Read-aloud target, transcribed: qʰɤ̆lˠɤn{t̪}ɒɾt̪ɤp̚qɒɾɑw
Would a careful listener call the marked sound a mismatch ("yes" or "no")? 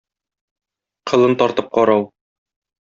no